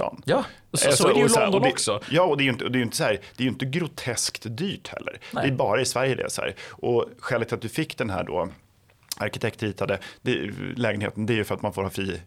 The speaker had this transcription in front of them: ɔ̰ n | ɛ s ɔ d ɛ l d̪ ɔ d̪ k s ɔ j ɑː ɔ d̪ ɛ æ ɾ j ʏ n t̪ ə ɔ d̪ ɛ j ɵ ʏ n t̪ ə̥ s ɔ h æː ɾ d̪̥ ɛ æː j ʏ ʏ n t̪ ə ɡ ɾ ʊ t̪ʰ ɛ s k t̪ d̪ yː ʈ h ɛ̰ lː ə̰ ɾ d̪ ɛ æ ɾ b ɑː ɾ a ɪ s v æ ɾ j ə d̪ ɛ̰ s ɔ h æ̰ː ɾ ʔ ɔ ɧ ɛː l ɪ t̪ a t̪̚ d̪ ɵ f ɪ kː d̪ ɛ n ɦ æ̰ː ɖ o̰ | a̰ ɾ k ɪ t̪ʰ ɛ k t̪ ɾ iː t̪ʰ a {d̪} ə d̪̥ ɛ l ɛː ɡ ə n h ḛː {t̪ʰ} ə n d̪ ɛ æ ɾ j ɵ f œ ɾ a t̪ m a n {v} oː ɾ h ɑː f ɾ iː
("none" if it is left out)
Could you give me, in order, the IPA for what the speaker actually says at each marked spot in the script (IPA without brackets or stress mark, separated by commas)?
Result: d̪, t̪, f